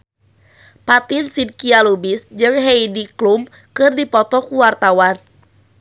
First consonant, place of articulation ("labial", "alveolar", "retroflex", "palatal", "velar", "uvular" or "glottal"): labial